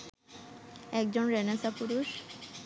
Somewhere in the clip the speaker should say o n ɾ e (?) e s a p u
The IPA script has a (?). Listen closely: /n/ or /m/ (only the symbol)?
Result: n